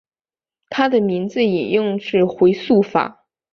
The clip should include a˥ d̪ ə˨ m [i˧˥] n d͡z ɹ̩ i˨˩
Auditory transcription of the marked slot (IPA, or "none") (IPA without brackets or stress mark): i˧˥